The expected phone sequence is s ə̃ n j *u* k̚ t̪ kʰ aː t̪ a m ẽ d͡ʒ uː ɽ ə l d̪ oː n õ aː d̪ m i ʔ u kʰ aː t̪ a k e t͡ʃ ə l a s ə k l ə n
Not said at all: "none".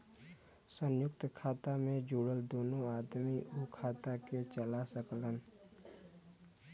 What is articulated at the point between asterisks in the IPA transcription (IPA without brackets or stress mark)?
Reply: ʊ